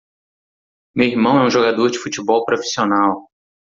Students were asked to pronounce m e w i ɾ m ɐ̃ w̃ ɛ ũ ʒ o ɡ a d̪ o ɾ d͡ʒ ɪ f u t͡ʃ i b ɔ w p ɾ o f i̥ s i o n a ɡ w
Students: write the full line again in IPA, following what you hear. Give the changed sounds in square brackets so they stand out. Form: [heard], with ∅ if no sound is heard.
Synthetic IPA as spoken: m e w i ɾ m ɐ̃ w̃ ɛ ũ ʒ o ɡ a d̪ o ɾ d͡ʒ ɪ f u t͡ʃ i b ɔ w p ɾ o f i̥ s i o n a [∅] w